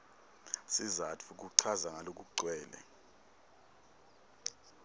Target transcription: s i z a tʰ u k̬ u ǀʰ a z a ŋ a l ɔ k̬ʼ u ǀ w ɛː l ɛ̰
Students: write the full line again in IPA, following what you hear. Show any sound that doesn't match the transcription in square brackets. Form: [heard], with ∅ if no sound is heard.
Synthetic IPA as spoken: s i z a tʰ u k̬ u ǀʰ a z a ŋ a l [o] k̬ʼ u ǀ w ɛː l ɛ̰